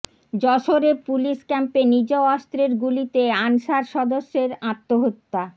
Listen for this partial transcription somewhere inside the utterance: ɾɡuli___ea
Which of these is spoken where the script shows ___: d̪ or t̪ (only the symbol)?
t̪